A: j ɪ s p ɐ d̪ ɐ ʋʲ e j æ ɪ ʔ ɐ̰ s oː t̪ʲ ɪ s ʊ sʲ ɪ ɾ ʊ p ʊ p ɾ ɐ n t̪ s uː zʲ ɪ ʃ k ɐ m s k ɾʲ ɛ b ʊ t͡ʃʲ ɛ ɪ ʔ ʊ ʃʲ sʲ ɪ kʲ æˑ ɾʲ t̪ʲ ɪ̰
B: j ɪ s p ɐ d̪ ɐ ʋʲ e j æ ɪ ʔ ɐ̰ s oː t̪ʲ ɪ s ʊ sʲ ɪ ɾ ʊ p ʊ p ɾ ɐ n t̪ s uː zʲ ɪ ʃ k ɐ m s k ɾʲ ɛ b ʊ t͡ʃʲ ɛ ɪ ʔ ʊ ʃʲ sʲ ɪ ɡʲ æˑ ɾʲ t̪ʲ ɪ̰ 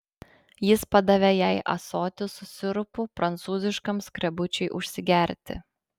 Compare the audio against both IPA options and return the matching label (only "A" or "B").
B